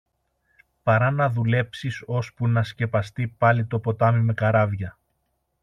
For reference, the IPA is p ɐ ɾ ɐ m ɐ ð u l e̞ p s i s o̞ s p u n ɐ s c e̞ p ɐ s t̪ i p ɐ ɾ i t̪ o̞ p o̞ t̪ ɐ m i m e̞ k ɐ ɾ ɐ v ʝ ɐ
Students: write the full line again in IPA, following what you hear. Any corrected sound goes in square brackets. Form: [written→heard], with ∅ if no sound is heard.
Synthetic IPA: p ɐ ɾ ɐ [m→n] ɐ ð u l e̞ p s i s o̞ s p u n ɐ s c e̞ p ɐ s t̪ i p ɐ [ɾ→l] i t̪ o̞ p o̞ t̪ ɐ m i m e̞ k ɐ ɾ ɐ v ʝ ɐ